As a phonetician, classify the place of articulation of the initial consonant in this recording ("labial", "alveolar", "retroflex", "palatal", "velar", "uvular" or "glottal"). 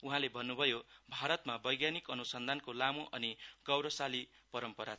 glottal